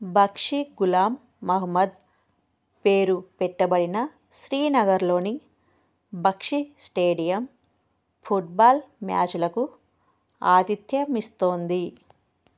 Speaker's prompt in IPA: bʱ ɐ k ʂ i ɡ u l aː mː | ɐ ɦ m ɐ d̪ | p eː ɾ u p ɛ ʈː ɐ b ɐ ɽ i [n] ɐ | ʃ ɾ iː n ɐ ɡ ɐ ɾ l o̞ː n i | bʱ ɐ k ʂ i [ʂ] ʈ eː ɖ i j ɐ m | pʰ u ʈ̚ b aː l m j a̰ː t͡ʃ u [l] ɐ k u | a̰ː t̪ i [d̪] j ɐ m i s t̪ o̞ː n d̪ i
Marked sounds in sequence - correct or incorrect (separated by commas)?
correct, incorrect, correct, incorrect